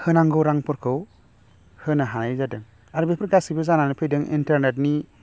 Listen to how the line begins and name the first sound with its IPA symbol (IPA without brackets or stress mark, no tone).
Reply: h